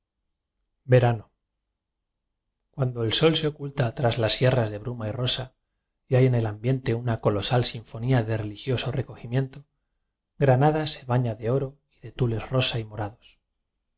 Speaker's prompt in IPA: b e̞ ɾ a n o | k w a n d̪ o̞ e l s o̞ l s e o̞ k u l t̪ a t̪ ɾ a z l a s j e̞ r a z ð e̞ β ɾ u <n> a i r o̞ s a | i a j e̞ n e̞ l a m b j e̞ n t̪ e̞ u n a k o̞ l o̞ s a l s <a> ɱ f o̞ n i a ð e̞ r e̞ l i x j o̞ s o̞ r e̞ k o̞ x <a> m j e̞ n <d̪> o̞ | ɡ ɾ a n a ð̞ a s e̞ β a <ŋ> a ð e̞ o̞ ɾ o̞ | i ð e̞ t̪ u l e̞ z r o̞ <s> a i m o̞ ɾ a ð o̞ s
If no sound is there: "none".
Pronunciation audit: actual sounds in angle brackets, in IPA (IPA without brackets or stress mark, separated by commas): m, i, i, t̪, ɲ, s